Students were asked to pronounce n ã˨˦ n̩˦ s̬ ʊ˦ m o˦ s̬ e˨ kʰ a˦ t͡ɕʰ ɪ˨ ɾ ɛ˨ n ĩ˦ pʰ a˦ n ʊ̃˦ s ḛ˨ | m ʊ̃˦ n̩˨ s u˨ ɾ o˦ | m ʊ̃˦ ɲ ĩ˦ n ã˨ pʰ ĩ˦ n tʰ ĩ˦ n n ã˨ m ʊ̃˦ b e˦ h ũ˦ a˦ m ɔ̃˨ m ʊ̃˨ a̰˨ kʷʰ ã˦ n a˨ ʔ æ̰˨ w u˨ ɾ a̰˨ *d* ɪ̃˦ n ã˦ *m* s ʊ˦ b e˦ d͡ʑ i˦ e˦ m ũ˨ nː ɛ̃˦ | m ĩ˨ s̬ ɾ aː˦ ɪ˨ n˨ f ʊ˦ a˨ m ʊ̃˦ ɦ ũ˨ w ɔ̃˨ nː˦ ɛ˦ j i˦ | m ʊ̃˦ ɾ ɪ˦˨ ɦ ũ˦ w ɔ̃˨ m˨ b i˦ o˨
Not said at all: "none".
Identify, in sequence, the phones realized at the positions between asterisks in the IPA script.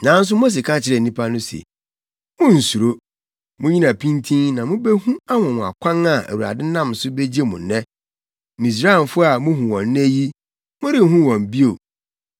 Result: d, m

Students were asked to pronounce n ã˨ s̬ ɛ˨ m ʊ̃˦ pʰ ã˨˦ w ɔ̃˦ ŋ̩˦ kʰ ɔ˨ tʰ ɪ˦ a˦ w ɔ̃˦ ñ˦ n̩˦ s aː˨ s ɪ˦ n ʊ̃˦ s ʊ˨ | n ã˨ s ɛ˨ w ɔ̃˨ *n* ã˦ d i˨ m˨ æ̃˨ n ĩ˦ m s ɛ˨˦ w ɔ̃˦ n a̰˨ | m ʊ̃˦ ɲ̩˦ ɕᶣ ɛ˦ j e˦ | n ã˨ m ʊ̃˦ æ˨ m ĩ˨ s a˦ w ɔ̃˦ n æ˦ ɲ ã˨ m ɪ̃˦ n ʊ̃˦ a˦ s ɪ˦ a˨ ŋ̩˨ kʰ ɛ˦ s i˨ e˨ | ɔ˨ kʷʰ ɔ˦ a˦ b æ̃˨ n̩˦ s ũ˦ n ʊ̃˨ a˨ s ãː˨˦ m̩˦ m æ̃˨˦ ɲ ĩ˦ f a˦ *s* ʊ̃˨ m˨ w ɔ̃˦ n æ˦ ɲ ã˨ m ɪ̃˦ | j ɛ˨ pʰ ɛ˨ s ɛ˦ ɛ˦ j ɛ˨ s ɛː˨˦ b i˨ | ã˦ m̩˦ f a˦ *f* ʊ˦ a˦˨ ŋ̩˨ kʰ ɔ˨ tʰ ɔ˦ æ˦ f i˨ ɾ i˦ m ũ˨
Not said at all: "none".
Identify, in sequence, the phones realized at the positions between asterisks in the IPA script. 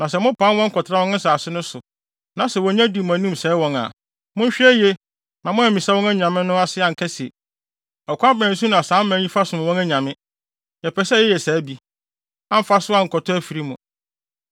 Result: ɲ, s, s

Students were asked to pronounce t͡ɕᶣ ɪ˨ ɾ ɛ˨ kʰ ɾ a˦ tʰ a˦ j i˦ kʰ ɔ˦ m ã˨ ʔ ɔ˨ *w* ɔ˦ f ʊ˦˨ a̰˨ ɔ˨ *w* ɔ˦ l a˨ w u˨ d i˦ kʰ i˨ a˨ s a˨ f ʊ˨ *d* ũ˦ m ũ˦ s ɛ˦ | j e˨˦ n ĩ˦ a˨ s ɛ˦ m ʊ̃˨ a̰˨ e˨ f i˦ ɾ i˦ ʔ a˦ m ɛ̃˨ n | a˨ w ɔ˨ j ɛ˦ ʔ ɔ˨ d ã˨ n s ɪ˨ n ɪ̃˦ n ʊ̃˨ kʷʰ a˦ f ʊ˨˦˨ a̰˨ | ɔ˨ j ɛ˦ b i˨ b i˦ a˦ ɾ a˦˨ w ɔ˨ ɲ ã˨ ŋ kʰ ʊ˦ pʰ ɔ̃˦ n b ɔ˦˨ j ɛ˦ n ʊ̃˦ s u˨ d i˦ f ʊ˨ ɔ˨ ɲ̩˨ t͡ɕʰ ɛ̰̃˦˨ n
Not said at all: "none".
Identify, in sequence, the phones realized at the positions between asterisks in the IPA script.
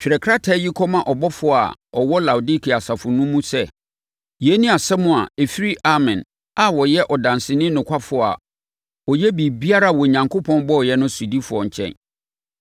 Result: b, w, n

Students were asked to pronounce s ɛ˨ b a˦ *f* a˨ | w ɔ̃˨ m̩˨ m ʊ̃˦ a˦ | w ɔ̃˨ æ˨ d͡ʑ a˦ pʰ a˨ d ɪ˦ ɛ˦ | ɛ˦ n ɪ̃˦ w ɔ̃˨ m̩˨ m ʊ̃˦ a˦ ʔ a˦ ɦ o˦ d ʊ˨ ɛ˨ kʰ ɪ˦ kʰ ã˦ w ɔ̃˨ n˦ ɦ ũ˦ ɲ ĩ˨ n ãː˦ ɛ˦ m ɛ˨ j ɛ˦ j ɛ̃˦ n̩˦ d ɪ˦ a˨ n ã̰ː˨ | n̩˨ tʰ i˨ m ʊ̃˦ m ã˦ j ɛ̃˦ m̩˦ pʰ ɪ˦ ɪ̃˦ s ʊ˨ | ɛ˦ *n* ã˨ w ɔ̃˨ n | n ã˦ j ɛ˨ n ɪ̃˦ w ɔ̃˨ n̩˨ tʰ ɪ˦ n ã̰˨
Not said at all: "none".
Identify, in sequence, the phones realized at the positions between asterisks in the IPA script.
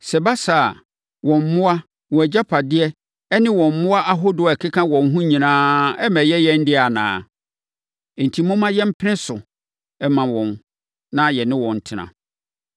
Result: s, m

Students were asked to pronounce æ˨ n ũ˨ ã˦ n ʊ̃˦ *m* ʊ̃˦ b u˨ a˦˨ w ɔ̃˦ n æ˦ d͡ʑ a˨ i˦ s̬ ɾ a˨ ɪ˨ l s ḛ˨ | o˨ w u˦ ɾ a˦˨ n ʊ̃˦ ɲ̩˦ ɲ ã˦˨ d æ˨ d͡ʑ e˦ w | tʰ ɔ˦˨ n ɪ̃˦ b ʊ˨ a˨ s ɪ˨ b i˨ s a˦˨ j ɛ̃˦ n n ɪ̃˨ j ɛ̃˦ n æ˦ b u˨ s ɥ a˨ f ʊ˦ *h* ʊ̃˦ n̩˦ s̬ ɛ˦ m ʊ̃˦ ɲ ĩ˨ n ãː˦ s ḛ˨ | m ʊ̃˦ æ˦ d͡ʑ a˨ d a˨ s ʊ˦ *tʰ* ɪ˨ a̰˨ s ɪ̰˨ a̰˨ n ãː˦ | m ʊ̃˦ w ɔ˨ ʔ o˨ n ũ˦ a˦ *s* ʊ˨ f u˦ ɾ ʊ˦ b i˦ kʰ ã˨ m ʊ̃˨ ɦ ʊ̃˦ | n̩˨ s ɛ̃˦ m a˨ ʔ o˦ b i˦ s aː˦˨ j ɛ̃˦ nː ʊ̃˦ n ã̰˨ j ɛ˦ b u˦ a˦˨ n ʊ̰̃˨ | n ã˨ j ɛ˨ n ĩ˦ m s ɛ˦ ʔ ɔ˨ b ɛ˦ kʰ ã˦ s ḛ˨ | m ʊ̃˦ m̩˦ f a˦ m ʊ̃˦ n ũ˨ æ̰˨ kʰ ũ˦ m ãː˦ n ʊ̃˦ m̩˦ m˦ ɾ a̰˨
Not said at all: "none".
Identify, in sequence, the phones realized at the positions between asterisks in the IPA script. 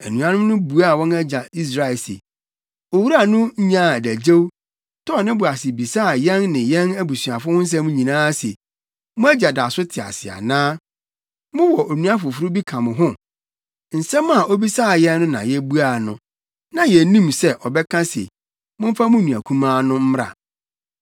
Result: n, h, tʰ, f

